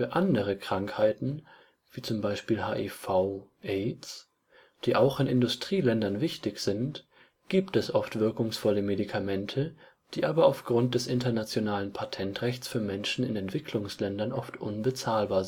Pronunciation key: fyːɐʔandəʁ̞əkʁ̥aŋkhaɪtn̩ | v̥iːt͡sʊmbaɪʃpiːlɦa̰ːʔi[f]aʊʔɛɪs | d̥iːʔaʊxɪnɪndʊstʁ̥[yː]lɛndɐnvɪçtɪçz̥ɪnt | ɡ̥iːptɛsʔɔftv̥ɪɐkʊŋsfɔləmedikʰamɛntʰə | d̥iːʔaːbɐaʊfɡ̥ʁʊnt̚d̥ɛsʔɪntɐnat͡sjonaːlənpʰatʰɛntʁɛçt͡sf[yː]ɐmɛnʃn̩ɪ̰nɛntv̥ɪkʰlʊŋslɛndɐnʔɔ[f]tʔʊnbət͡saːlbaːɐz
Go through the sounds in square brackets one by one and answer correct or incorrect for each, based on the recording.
correct, incorrect, correct, correct

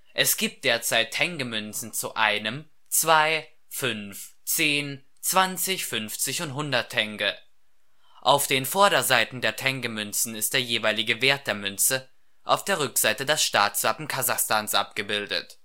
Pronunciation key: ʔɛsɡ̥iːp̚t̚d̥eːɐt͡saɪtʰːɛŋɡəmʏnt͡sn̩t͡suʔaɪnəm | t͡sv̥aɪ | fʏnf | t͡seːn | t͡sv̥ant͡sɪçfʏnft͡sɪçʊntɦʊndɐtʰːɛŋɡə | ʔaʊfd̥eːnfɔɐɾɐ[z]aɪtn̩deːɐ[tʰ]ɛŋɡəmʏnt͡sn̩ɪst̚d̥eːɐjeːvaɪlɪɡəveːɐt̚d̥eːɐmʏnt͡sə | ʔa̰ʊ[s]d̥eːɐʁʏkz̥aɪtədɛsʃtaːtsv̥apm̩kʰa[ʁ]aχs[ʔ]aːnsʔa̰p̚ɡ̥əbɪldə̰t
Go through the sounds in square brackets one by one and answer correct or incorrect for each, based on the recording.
correct, correct, incorrect, incorrect, incorrect

